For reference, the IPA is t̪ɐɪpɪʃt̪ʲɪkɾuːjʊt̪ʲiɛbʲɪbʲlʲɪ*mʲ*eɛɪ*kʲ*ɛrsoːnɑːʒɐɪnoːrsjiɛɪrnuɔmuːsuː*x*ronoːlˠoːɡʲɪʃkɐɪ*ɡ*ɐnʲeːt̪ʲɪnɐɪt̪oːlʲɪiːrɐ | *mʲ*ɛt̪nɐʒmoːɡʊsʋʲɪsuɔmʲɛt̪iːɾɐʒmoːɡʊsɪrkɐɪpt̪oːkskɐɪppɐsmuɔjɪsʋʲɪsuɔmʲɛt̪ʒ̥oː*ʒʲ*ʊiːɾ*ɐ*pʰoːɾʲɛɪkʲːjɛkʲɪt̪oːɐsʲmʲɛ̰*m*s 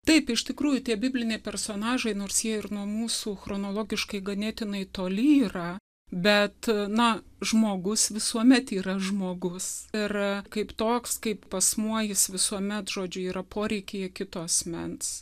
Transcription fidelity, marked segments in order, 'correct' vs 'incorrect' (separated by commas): incorrect, incorrect, correct, correct, incorrect, incorrect, correct, incorrect